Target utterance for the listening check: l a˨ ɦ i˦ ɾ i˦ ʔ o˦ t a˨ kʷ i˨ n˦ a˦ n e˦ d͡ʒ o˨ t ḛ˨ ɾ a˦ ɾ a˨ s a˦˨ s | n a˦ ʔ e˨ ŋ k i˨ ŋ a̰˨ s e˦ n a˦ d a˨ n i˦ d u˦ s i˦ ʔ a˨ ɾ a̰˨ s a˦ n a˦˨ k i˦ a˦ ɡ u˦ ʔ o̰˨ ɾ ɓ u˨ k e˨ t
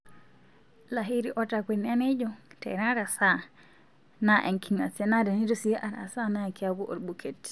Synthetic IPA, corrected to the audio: l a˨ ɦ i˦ ɾ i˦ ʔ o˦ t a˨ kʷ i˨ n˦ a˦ n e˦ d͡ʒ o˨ t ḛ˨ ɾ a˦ ɾ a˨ s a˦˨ | n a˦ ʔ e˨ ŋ k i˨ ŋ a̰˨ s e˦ n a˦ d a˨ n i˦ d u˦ s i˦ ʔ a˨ ɾ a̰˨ s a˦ n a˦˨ k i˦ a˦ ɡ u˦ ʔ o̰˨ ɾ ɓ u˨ k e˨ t